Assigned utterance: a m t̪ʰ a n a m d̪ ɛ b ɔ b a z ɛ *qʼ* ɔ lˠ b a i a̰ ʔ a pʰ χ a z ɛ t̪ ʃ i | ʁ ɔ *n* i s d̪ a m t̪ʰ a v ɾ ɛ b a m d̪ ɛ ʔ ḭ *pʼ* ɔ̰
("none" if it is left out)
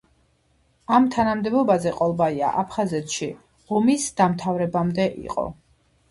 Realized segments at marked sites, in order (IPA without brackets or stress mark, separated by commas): qʼ, m, qʼ